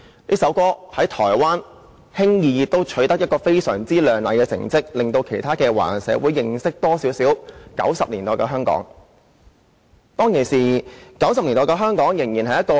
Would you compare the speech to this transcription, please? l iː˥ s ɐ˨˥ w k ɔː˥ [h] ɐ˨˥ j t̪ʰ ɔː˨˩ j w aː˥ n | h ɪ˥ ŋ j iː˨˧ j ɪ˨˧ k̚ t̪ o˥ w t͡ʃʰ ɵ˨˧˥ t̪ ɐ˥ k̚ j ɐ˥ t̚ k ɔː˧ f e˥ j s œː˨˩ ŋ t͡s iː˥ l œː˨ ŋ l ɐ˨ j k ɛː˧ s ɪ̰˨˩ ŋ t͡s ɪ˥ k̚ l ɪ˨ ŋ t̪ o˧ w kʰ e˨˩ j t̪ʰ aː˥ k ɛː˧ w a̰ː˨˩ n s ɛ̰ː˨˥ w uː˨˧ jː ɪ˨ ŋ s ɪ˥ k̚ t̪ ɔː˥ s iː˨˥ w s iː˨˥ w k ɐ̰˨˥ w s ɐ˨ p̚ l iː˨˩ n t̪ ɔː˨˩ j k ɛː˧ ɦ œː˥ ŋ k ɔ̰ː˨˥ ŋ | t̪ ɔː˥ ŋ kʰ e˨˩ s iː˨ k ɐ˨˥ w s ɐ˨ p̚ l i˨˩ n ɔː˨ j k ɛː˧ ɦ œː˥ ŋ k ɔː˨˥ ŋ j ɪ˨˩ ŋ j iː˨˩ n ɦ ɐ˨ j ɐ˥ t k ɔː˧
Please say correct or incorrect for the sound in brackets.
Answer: correct